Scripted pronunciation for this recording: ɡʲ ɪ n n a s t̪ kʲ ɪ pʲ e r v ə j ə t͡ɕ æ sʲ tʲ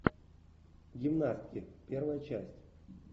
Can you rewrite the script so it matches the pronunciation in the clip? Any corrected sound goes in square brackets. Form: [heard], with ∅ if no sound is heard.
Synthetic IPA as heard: ɡʲ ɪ [m] n a s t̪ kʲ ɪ pʲ e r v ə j ə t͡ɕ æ sʲ tʲ